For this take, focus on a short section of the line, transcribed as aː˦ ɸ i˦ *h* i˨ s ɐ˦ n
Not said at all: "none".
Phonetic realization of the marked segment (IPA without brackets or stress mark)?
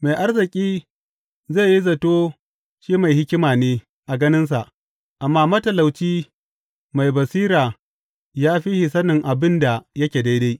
h